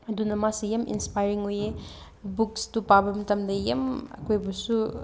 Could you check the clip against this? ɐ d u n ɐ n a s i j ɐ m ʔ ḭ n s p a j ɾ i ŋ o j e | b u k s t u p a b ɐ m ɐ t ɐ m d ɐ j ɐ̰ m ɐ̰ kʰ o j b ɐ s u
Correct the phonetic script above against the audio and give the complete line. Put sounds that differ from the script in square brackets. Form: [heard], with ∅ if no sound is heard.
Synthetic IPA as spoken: ɐ d u n ɐ [m] a s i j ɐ m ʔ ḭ n s p a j ɾ i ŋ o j e | b u k s t u p a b ɐ m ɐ t ɐ m d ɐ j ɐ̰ m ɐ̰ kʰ o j b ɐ s u